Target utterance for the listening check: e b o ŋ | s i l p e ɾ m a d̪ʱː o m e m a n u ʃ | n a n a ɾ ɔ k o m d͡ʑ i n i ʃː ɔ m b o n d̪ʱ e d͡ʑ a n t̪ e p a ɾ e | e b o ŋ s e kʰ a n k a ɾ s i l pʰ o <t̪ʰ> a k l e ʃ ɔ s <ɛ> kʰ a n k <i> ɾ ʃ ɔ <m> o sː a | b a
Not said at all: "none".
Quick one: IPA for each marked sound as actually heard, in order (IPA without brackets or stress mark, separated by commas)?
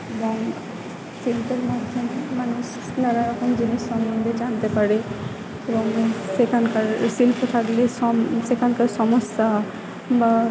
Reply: t̪ʰ, e, a, m